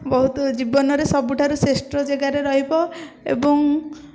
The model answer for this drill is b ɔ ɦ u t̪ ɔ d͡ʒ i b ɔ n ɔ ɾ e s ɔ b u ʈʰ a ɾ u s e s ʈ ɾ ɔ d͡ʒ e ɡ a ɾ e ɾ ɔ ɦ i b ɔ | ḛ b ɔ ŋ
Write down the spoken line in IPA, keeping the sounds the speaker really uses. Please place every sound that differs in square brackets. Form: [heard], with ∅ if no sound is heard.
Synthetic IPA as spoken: b ɔ ɦ u t̪ ɔ d͡ʒ i b ɔ n ɔ ɾ e s ɔ b u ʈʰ a ɾ u s e s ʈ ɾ ɔ d͡ʒ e ɡ a ɾ e ɾ ɔ ɦ i b ɔ | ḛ b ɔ ŋ